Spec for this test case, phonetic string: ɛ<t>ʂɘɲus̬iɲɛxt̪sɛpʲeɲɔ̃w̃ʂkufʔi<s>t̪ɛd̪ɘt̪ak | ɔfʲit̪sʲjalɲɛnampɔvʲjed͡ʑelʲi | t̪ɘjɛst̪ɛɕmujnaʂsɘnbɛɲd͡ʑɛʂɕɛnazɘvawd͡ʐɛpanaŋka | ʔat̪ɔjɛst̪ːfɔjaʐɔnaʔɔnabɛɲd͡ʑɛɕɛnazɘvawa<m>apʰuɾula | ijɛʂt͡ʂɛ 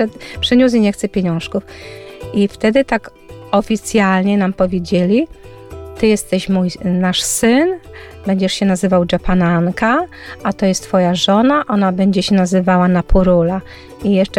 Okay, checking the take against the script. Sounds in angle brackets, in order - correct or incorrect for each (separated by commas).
incorrect, incorrect, incorrect